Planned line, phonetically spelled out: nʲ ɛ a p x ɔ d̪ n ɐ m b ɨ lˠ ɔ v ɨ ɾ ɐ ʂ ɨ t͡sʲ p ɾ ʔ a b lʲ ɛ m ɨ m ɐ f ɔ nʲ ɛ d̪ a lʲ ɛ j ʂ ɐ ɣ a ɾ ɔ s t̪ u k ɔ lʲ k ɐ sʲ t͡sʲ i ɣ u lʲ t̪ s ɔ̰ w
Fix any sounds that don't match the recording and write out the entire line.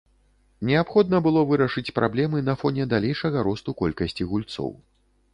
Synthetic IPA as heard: nʲ ɛ a p x ɔ d̪ n ɐ b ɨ lˠ ɔ v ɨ ɾ ɐ ʂ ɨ t͡sʲ p ɾ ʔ a b lʲ ɛ m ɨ n ɐ f ɔ nʲ ɛ d̪ a lʲ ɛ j ʂ ɐ ɣ ɐ ɾ ɔ s t̪ u k ɔ lʲ k ɐ sʲ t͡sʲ i ɣ u lʲ t̪ s ɔ̰ w